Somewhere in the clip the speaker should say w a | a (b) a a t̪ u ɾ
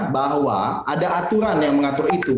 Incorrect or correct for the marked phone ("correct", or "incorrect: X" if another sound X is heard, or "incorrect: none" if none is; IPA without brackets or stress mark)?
incorrect: d